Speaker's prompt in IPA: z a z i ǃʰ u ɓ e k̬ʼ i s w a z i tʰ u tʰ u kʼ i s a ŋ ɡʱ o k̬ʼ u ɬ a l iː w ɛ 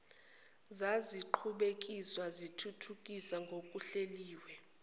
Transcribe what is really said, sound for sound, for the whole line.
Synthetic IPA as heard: z a z i ǃʰ u ɓ e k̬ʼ i s w a z i tʰ u tʰ u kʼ i s a ŋ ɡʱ o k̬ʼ u ɬ e l iː w ɛ